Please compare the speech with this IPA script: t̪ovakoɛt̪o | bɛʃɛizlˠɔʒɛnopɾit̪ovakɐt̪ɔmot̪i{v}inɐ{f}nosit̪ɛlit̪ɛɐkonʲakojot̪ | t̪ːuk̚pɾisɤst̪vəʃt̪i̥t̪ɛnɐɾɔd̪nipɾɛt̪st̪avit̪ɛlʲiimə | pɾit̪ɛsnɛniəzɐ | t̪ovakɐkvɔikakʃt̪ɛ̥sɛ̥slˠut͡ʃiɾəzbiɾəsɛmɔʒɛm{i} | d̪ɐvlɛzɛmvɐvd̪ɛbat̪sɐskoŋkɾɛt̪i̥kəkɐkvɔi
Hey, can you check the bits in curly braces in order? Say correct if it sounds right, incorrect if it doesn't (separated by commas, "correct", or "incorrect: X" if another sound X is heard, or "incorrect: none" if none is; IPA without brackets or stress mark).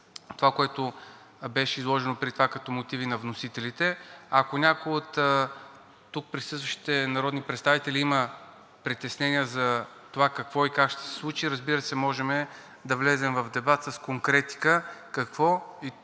correct, incorrect: v, incorrect: ɛ